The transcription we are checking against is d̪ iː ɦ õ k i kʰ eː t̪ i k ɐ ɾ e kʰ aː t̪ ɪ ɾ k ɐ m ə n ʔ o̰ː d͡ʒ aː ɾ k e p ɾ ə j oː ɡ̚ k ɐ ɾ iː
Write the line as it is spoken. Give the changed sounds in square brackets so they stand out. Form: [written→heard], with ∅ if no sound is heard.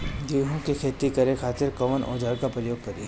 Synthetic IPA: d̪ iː ɦ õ k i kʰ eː t̪ i k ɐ ɾ e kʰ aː t̪ ɪ ɾ k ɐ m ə n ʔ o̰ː d͡ʒ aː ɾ k [e→a] p ɾ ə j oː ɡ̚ k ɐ ɾ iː